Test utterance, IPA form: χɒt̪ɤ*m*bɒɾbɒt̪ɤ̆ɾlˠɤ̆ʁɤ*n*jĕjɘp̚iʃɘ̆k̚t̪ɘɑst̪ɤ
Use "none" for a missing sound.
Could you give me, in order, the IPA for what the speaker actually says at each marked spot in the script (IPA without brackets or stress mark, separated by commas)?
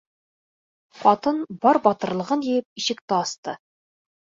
n, n